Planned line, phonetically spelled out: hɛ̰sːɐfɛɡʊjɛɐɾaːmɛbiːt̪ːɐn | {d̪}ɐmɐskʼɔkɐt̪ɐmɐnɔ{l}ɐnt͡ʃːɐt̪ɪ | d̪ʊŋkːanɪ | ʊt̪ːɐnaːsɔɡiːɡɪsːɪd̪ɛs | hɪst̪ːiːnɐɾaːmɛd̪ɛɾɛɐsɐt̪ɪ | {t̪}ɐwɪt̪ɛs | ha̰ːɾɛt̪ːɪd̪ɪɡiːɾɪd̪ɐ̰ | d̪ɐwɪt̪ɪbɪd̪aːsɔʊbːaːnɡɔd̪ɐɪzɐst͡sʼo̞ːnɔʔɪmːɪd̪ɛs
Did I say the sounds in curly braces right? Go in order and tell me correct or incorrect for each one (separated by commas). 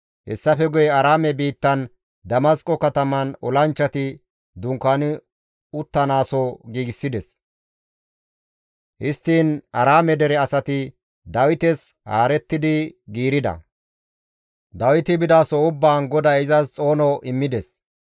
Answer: correct, correct, incorrect